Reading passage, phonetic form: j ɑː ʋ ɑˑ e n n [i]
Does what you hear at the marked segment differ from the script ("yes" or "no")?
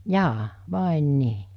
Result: yes